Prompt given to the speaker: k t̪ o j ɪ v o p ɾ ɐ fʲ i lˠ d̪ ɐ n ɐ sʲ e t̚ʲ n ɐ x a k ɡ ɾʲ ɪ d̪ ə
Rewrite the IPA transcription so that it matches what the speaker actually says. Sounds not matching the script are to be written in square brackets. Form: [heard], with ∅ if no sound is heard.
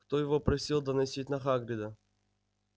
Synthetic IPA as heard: k t̪ o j ɪ v o p ɾ ɐ [sʲ] i lˠ d̪ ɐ n ɐ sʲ [i] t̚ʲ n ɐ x a [∅] ɡ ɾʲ ɪ d̪ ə